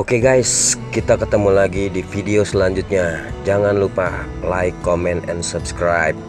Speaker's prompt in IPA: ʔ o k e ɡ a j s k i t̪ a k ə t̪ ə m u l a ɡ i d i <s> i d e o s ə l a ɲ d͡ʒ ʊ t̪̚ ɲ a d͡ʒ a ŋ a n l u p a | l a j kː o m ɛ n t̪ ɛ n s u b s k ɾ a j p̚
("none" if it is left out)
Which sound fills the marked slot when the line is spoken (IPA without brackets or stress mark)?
f